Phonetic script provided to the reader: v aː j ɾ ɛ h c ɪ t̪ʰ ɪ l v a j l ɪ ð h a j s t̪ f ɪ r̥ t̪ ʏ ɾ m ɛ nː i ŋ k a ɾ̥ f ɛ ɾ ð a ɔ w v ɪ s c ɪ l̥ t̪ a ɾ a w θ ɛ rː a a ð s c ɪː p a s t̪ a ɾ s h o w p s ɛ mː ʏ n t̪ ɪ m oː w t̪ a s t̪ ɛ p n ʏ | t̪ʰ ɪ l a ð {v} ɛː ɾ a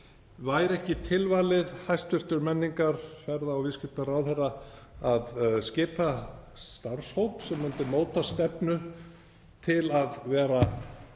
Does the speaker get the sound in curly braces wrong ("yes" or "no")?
no